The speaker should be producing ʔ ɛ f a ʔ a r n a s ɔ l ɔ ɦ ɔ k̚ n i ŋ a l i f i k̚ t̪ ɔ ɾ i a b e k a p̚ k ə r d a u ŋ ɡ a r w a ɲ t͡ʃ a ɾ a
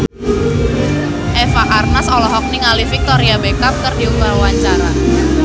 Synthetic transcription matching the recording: ʔ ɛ f a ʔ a r n a s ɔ l ɔ ɦ ɔ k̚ n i ŋ a l i f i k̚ t̪ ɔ ɾ i a b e k a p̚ k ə r d i u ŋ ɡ a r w a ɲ t͡ʃ a ɾ a